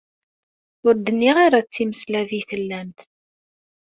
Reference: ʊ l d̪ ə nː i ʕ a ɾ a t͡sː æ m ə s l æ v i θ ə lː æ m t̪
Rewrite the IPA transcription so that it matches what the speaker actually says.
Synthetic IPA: ʊ ɾ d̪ ə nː i ʁ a ɾ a t͡sː i m ə s l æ v i θ ə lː æ m t̪